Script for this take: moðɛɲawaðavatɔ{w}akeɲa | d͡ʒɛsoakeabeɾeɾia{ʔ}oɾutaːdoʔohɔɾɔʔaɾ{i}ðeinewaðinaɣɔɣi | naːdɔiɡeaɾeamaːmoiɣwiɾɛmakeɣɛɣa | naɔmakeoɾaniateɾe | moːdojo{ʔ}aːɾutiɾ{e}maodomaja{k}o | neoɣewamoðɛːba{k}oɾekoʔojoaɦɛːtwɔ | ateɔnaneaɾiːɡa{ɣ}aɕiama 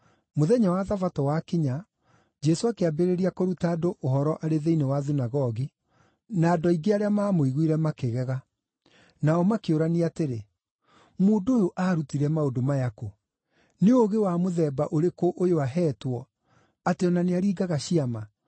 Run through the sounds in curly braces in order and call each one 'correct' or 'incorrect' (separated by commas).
correct, incorrect, incorrect, correct, incorrect, correct, incorrect, correct